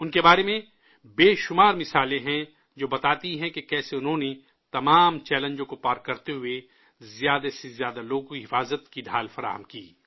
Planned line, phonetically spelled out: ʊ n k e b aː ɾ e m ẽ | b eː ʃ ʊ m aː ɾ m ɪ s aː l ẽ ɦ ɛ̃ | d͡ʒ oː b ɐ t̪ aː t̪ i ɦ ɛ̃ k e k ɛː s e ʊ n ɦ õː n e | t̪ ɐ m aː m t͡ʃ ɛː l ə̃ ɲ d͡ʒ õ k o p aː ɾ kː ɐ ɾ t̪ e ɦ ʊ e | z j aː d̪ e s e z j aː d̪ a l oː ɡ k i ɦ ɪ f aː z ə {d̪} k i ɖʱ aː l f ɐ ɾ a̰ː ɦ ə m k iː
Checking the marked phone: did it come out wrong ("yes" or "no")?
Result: yes